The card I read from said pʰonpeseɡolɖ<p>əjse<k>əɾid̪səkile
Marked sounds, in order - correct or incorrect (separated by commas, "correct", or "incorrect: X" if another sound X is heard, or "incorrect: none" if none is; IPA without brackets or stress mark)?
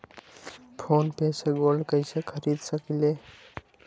incorrect: k, incorrect: kʰ